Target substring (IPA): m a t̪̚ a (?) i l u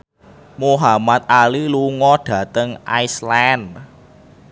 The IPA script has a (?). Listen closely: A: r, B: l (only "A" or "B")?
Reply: B